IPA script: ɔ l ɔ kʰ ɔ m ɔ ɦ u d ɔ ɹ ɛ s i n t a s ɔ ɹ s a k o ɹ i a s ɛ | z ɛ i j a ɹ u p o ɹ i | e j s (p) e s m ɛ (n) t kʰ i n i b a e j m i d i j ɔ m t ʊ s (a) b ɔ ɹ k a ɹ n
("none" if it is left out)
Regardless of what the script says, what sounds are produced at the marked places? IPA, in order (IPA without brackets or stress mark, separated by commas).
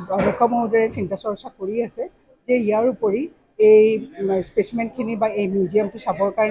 p, n, a